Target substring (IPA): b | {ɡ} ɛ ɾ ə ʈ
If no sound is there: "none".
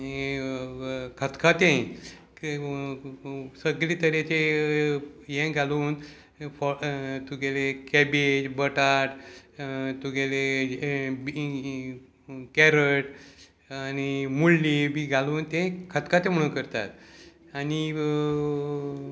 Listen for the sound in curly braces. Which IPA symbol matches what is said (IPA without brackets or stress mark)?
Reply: k